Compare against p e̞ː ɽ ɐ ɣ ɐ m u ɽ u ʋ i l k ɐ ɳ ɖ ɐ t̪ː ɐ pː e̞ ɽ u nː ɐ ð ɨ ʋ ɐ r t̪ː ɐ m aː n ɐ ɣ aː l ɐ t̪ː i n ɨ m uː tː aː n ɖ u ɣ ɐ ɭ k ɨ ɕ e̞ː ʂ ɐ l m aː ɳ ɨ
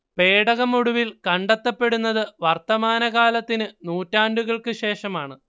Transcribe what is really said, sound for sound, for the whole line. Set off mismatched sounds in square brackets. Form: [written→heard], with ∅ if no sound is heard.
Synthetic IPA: p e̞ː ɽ ɐ ɣ ɐ m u ɽ u ʋ i l k ɐ ɳ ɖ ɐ t̪ː ɐ pː e̞ ɽ u nː ɐ ð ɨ ʋ ɐ r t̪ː ɐ m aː n ɐ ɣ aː l ɐ t̪ː i n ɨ [m→n] uː tː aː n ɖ u ɣ ɐ ɭ k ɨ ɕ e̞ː ʂ ɐ [l→∅] m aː ɳ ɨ